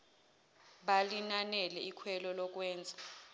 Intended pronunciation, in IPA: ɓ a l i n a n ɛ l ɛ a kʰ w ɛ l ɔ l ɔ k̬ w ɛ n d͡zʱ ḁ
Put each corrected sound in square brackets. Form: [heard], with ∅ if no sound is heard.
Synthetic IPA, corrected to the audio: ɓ a l i n a n ɛ l ɛ [i] kʰ w ɛ l ɔ l ɔ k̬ w [ɛː] n d͡zʱ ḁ